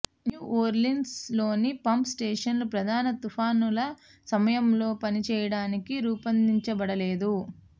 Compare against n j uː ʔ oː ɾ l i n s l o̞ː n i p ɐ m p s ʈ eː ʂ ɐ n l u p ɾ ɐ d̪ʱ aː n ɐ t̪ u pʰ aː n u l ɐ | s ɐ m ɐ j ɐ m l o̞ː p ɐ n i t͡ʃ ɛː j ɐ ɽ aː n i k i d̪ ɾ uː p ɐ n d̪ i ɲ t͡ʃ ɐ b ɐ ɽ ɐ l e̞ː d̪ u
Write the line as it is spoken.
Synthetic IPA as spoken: n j uː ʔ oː ɾ l i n s l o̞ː n i p ɐ m p s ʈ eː ʂ ɐ n l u p ɾ ɐ d̪ʱ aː n ɐ t̪ u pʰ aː n u l ɐ | s ɐ m ɐ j ɐ m l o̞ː p ɐ n i t͡ʃ ɛː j ɐ ɽ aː n i k i ɾ uː p ɐ n d̪ i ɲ t͡ʃ ɐ b ɐ ɽ ɐ l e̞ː d̪ u

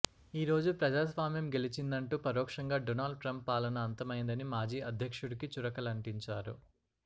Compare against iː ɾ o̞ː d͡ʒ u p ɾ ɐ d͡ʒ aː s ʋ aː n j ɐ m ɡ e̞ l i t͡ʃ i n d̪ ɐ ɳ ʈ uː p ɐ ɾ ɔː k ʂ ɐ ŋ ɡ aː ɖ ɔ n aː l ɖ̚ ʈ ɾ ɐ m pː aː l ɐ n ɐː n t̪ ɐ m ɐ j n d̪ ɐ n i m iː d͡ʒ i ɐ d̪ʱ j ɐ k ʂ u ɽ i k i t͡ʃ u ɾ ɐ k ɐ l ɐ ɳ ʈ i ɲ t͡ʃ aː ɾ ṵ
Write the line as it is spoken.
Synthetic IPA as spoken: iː ɾ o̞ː d͡ʒ u p ɾ ɐ d͡ʒ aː s ʋ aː m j ɐ m ɡ e̞ l i t͡ʃ i n d̪ ɐ ɳ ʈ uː p ɐ ɾ ɔː k ʂ ɐ ŋ ɡ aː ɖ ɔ n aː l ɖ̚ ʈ ɾ ɐ m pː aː l ɐ n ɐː n t̪ ɐ m ɐ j n d̪ ɐ n i m aː d͡ʒ iː ɐ d̪ʱ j ɐ k ʂ u ɽ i k i t͡ʃ u ɾ ɐ k ɐ l ɐ ɳ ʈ i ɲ t͡ʃ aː ɾ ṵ

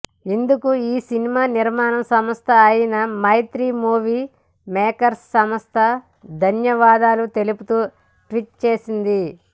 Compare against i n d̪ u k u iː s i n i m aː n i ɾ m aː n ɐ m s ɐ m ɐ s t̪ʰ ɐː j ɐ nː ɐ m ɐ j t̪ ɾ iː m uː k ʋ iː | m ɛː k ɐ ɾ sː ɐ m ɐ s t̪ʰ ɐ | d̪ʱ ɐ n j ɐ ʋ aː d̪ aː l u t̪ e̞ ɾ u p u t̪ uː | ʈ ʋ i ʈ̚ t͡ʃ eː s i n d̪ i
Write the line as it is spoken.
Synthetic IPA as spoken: i n d̪ u k u iː s i n i m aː n i ɾ m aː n ɐ m s ɐ m ɐ s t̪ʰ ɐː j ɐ n ɐ m ɐ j t̪ ɾ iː m uː ʋ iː | m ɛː k ɐ ɾ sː ɐ m ɐ s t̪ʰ ɐ | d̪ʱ ɐ n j ɐ ʋ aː d̪ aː l u t̪ e̞ l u p u t̪ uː | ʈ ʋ i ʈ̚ t͡ʃ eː s i n d̪ i

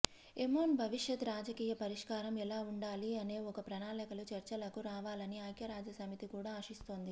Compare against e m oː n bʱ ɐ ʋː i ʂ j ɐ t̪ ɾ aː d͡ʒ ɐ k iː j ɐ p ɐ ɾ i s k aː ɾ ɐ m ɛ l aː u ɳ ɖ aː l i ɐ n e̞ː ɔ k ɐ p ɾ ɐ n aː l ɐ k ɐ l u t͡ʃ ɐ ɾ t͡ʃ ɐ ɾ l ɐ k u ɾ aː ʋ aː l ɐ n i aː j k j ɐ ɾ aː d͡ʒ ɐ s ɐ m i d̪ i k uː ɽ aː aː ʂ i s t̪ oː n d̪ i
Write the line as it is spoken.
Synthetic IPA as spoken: e m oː n bʱ ɐ ʋ i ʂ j ɐ t̪ ɾ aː d͡ʒ ɐ k iː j ɐ p ɐ ɾ i ʂ k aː ɾ ɐ m ɛ l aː u ɳ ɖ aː l i ɐ n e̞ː ɔ k ɐ p ɾ ɐ n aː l ɐ k ɐ l u t͡ʃ ɐ ɾ t͡ʃ ɐ l ɐ k u ɾ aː ʋ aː l ɐ n i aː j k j ɐ ɾ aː d͡ʒ ɐ s ɐ m i t̪ i k uː ɽ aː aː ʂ i s t̪ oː n d̪ i

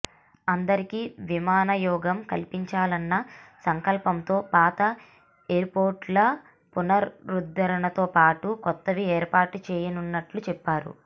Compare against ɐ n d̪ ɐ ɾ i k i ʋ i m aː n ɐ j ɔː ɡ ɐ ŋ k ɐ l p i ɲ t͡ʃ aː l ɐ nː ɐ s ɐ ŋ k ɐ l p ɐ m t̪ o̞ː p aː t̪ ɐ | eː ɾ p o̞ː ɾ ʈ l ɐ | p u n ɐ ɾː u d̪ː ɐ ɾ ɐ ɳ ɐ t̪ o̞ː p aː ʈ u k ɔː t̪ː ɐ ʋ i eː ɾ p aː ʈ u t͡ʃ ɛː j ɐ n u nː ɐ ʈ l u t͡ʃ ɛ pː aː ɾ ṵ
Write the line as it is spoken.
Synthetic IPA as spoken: ɐ n d̪ ɐ ɾ i k i ʋ i m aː n ɐ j ɔː ɡ ɐ m k ɐ l p i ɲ t͡ʃ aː l ɐ nː ɐ s ɐ ŋ k ɐ l p ɐ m t̪ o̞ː p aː t̪ ɐ | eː ɾ p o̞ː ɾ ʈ l ɐ | p u n ɐ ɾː u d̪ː ɐ ɾ ɐ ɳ ɐ t̪ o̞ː p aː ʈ u k ɔ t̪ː ɐ ʋ i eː ɾ p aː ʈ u t͡ʃ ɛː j ɐ n u nː ɐ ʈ l u t͡ʃ ɛ pː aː ɾ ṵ

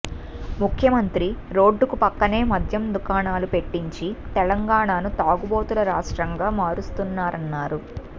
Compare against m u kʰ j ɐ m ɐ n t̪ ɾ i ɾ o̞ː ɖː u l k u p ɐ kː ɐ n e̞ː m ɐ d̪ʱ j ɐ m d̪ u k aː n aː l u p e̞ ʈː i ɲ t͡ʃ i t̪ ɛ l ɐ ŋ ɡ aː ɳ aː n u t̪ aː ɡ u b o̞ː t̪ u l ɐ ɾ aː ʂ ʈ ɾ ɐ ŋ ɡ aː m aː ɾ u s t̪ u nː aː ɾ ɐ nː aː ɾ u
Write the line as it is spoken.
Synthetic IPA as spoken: m u kʰ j ɐ m ɐ n t̪ ɾ i ɾ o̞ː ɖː u k u p ɐ kː ɐ n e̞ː m ɐ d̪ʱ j ɐ m d̪ u k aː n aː l u p e̞ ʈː i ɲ t͡ʃ i t̪ ɛ l ɐ ŋ ɡ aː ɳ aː n u t̪ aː ɡ u b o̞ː t̪ u l ɐ ɾ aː ʂ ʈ ɾ ɐ ŋ ɡ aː m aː ɾ u s t̪ u nː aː ɾ ɐ nː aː ɾ u

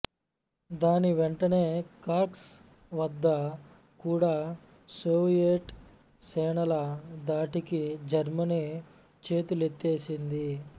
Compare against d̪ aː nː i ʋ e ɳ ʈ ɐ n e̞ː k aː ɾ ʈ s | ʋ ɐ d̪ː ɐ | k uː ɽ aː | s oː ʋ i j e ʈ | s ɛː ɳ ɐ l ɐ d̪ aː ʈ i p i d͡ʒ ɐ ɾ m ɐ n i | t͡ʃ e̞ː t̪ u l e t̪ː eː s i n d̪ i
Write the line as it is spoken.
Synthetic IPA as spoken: d̪ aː n i ʋ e ɳ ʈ ɐ n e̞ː k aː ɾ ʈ s | ʋ ɐ d̪ː ɐ | k uː ɽ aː | s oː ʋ i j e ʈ | s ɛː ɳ ɐ l ɐ d̪ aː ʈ i k i d͡ʒ ɐ ɾ m ɐ n i | t͡ʃ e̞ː t̪ u l e t̪ː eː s i n d̪ i

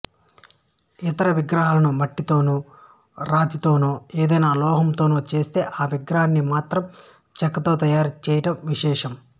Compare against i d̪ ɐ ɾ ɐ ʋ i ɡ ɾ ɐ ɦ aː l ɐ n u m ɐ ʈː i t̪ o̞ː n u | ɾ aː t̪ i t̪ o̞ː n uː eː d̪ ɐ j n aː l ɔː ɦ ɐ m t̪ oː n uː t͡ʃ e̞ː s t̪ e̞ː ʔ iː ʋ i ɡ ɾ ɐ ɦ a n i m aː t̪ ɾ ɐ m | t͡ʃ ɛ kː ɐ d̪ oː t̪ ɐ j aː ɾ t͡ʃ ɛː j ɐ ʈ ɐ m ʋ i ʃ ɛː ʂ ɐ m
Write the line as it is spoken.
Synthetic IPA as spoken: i t̪ ɐ ɾ ɐ ʋ i ɡ ɾ ɐ ɦ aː l ɐ n u m ɐ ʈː i t̪ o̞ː n u | ɾ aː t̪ i t̪ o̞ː n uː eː d̪ ɐ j n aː l ɔː ɦ ɐ m t̪ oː n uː t͡ʃ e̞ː s t̪ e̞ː ʔ aː ʋ i ɡ ɾ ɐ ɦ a nː i m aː t̪ ɾ ɐ m | t͡ʃ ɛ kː ɐ t̪ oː t̪ ɐ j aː ɾ t͡ʃ ɛː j ɐ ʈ ɐ m ʋ i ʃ ɛː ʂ ɐ m

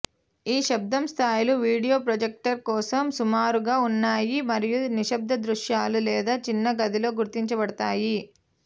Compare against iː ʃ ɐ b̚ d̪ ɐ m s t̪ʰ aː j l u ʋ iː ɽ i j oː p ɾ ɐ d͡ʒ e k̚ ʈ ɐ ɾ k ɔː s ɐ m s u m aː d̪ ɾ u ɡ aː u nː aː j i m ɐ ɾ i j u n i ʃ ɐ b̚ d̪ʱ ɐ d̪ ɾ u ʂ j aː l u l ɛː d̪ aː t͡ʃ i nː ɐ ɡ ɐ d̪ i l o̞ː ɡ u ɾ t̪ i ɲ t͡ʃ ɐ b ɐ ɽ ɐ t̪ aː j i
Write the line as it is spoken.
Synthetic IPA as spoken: iː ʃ ɐ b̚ d̪ ɐ m s t̪ʰ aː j l u ʋ iː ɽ i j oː p ɾ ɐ d͡ʒ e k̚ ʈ ɐ ɾ k ɔː s ɐ m s u m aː ɾ u ɡ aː u nː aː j i m ɐ ɾ i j u n i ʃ ɐ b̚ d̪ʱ ɐ d̪ ɾ u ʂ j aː l u l ɛː d̪ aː t͡ʃ i nː ɐ ɡ ɐ d̪ i l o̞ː ɡ u ɾ t̪ i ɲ t͡ʃ ɐ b ɐ ɽ ɐ t̪ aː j i

